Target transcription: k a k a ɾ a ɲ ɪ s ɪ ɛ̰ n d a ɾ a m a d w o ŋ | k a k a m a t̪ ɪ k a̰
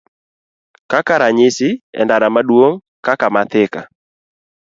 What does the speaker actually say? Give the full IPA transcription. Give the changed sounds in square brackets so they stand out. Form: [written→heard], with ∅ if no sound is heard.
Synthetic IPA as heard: k a k a ɾ a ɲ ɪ s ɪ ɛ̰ n d a ɾ a m a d w o ŋ | k a k a m a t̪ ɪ k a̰